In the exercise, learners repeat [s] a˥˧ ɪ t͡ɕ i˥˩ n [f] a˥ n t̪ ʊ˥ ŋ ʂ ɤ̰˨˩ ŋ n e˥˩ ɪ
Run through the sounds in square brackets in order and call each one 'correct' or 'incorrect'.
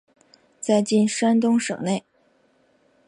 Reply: incorrect: t͡s, incorrect: ʂ

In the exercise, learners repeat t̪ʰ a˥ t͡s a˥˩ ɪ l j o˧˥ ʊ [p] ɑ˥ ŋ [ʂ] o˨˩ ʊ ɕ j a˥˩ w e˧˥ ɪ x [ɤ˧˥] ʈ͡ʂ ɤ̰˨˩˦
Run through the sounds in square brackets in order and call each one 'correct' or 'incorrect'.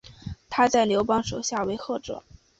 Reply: correct, correct, incorrect: ɤ˥˩

